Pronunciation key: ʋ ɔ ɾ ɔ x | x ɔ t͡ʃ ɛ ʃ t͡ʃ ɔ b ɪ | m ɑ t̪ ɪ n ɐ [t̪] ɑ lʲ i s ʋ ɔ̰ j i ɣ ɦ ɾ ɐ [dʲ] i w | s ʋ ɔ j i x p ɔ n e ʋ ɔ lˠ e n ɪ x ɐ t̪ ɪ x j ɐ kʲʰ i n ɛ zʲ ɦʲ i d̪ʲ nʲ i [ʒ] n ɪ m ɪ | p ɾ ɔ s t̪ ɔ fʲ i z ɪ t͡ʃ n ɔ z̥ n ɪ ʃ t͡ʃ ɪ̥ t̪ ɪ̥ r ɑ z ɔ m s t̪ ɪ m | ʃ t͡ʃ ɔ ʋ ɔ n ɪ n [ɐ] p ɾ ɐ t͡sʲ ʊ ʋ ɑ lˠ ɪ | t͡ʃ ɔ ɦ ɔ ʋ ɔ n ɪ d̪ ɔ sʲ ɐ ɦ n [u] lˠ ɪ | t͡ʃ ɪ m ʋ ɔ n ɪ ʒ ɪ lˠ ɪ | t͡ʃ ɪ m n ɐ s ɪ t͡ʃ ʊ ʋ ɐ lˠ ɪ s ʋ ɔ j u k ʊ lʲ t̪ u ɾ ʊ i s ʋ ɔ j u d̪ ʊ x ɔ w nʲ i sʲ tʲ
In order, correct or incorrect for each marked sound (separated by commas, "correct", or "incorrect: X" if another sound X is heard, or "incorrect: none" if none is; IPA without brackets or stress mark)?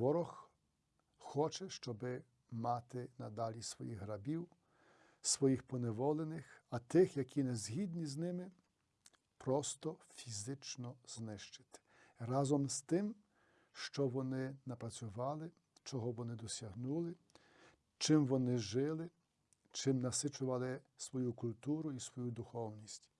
incorrect: d̪, incorrect: bʲ, incorrect: z, correct, correct